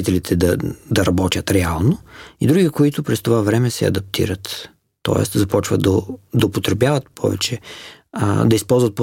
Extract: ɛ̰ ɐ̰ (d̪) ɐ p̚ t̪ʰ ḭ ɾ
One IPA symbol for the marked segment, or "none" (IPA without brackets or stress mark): d̪